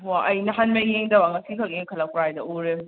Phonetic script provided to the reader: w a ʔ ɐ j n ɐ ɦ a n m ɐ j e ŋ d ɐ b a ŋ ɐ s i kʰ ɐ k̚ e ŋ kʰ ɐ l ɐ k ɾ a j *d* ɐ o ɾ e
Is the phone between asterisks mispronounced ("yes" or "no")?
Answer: no